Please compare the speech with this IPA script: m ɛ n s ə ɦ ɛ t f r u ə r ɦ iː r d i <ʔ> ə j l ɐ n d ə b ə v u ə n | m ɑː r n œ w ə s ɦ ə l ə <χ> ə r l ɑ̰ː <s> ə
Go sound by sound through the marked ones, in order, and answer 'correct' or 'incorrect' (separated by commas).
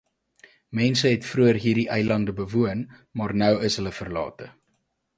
correct, incorrect, incorrect